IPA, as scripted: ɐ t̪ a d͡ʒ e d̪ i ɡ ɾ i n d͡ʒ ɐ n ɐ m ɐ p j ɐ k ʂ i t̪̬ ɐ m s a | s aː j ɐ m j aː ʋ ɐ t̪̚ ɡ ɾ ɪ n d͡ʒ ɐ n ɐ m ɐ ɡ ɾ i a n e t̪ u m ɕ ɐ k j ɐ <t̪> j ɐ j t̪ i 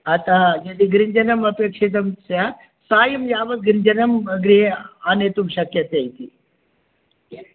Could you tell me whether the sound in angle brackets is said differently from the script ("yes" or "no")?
no